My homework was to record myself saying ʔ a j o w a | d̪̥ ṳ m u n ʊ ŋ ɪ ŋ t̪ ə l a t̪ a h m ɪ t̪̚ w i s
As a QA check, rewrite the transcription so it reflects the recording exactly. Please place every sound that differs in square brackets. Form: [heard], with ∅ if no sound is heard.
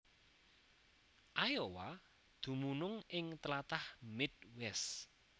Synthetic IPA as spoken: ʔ a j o w a | d̪̥ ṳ m u n ʊ ŋ ɪ ŋ t̪ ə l a t̪ a h m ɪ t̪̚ w [ɛ] s